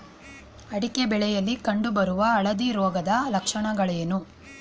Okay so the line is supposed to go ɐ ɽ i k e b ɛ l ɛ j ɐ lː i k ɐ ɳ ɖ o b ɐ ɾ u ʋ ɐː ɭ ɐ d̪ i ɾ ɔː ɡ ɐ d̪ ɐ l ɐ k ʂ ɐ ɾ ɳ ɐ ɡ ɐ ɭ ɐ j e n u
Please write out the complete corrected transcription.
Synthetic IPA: ɐ ɽ i k e b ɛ ɭ ɛ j ɐ lː i k ɐ ɳ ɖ u b ɐ ɾ u ʋ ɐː ɭ ɐ d̪ i ɾ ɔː ɡ ɐ d̪ ɐ l ɐ k ʂ ɐ ɳ ɐ ɡ ɐ ɭ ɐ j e n u